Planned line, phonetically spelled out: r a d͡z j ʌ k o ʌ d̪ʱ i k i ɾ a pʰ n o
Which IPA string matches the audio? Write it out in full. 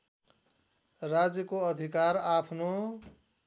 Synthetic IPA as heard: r a d͡z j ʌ k o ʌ d̪ʱ i k a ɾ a pʰ n o